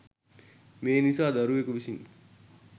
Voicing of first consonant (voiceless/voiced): voiced